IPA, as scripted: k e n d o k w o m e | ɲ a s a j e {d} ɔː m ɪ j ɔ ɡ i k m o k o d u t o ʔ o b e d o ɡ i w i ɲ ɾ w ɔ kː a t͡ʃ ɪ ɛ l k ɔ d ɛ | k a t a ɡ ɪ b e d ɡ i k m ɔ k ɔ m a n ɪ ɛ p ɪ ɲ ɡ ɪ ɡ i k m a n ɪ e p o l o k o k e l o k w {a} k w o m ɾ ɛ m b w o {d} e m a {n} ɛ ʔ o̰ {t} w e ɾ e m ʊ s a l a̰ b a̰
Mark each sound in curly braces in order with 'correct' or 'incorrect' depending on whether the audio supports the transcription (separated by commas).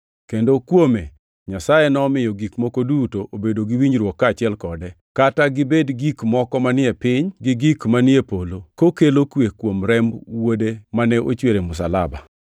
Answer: incorrect, incorrect, correct, correct, incorrect